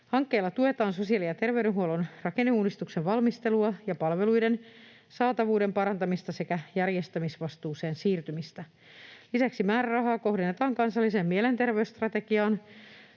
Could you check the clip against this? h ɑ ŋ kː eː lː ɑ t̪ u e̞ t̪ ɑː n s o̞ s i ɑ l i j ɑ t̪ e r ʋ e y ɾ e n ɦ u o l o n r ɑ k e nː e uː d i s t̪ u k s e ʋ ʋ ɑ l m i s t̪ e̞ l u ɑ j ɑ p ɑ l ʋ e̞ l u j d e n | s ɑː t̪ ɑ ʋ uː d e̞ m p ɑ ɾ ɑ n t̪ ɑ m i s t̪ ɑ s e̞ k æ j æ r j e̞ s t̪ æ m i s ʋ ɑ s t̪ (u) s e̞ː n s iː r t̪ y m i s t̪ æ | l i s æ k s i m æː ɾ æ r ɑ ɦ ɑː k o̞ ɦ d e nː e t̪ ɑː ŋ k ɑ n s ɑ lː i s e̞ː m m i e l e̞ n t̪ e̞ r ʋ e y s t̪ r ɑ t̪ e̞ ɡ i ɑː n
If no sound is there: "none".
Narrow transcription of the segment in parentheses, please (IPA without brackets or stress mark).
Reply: uː